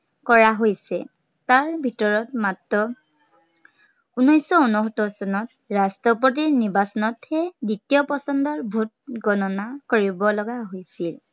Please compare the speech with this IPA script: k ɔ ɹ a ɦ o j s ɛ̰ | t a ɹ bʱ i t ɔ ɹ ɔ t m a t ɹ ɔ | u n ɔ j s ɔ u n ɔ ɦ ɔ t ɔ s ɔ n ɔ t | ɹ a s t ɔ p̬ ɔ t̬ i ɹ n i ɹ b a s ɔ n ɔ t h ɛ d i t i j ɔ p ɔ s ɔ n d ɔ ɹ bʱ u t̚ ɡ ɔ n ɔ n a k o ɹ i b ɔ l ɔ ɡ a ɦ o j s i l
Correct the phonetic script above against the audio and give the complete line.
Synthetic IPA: k ɔ ɹ a ɦ o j s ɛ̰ | t a ɹ bʱ i t ɔ ɹ ɔ t m a t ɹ ɔ | u n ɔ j s ɔ u n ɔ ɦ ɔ t ɔ s ɔ n ɔ t | ɹ a s t ɔ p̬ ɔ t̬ i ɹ n i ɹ b a s ɔ n ɔ t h ɛ d i t i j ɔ p ɔ s ɔ n d ɔ ɹ bʱ u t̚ ɡ ɔ n ɔ n a k o ɹ i b ɔ l ɔ ɡ a ɦ o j s i l